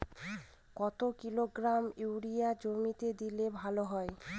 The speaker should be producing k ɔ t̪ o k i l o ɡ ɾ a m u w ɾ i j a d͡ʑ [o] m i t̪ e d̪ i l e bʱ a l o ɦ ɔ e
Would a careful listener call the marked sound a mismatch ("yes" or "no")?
no